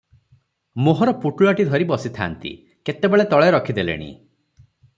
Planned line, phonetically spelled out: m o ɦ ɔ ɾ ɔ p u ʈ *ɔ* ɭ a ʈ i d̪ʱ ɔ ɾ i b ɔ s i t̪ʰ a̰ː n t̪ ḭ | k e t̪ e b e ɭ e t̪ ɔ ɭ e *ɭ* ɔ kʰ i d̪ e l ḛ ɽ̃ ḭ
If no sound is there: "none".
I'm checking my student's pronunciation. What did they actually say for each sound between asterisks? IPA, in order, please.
u, ɾ

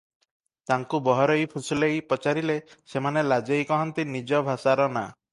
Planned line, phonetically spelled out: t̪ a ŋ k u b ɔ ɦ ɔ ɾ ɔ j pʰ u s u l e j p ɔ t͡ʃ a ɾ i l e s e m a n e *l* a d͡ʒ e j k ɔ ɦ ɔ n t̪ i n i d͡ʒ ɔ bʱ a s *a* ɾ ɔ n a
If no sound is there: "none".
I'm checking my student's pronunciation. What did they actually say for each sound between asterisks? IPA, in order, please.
l, a

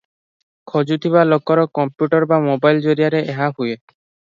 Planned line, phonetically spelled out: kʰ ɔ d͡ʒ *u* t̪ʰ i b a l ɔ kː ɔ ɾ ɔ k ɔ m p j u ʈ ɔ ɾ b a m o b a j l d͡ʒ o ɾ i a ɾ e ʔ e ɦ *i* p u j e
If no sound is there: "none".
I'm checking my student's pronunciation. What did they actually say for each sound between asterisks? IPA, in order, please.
u, a

